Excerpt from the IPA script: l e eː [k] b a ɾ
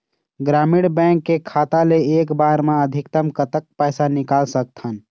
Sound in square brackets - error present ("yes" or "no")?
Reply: no